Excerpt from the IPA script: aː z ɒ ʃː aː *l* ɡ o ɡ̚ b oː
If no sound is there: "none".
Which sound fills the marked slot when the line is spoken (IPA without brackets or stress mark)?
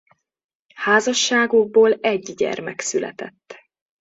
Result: none